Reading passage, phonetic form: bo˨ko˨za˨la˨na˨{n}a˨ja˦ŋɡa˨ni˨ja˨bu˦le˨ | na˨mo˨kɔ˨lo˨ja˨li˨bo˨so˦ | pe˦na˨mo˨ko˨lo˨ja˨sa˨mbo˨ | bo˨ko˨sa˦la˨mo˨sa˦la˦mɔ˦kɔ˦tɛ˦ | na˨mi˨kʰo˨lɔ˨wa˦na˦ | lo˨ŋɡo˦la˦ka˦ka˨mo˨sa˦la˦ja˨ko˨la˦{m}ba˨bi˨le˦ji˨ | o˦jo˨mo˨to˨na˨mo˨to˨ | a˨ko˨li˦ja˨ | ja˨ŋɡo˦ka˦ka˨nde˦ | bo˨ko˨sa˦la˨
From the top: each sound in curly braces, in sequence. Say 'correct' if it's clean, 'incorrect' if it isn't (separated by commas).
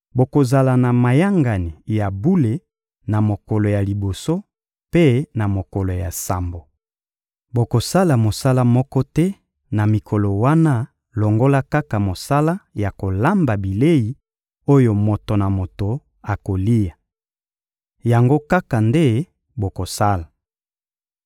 incorrect, correct